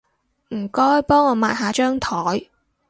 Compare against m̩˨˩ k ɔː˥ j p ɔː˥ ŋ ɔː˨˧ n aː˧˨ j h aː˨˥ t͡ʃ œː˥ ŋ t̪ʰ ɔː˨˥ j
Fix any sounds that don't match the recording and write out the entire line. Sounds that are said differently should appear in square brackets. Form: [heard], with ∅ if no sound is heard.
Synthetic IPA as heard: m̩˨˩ k ɔː˥ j p ɔː˥ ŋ ɔː˨˧ [m] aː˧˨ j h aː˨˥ t͡ʃ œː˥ ŋ t̪ʰ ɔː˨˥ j